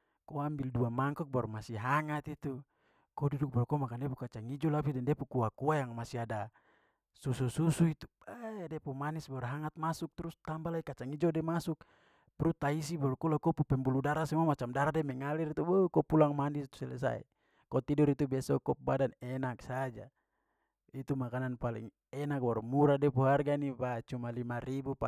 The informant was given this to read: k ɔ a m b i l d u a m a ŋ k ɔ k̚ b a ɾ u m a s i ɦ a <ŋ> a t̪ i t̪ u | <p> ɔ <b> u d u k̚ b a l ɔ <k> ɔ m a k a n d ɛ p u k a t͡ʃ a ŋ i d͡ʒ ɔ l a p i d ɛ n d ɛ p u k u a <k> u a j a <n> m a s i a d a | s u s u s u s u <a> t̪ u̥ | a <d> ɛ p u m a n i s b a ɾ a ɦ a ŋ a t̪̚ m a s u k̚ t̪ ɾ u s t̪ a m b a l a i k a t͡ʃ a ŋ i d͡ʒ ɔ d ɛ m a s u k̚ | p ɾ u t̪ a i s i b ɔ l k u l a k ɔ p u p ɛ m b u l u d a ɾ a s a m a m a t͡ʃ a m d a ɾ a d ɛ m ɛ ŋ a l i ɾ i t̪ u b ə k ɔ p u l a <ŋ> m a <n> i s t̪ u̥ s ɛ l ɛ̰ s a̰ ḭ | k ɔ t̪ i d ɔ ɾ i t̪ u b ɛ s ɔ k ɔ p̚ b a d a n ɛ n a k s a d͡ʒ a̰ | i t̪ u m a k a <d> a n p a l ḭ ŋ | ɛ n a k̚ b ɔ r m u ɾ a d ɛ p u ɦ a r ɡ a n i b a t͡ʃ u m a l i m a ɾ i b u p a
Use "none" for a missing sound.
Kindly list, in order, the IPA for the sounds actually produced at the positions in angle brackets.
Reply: ŋ, k, d, k, k, ŋ, i, d, ŋ, n, n

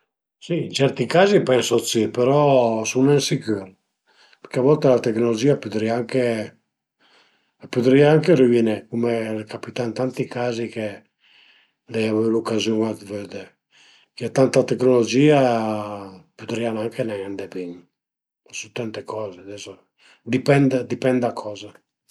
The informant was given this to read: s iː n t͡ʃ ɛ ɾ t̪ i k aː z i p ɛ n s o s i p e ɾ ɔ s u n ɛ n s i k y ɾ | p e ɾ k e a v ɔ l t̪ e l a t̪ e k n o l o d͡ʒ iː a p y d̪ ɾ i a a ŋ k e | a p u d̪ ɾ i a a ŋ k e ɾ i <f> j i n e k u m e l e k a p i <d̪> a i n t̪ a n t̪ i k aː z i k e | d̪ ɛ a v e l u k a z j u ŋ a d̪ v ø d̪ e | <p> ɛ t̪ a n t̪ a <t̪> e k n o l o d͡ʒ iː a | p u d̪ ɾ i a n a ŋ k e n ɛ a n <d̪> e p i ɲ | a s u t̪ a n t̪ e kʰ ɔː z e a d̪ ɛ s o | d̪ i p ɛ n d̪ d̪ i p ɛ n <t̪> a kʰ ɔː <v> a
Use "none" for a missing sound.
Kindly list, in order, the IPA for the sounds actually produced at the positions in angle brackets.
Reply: v, t̪, k, t̪, d̪, d̪, z

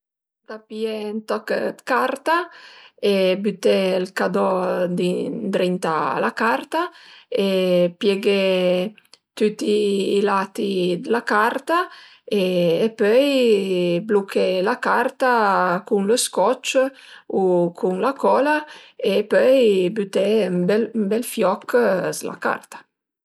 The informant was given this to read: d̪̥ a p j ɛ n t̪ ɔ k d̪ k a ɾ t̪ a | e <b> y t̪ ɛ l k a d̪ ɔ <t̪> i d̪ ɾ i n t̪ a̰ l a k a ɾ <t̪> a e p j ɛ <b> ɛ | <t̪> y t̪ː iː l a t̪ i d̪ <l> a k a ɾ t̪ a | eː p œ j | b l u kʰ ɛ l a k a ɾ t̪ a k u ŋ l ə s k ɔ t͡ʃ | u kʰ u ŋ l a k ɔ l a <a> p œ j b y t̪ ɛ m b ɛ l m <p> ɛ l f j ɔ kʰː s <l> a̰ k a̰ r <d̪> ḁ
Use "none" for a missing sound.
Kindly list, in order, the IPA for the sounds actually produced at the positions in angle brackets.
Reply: b, d̪, t̪, ɡ, t̪, l, e, b, l, t̪

